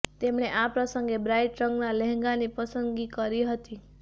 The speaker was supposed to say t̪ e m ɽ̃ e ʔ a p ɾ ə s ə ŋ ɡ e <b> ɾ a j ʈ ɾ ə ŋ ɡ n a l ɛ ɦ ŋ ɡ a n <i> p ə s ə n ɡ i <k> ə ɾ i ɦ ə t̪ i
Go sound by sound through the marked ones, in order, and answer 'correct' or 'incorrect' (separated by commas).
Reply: correct, correct, correct